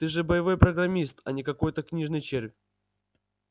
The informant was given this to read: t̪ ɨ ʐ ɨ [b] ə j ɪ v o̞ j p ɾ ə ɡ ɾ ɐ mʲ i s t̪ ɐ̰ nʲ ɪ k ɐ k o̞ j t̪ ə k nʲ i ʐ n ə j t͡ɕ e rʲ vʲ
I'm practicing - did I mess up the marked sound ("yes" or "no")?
no